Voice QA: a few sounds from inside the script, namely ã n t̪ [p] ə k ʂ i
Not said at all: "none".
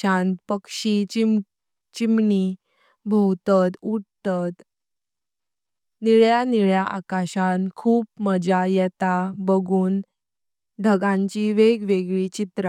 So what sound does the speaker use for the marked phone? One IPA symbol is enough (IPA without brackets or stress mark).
p